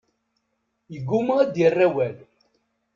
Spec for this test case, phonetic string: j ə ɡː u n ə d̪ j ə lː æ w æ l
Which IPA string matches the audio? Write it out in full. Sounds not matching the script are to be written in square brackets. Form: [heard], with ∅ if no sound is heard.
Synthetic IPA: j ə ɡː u [m] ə d̪ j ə [rː] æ w æ l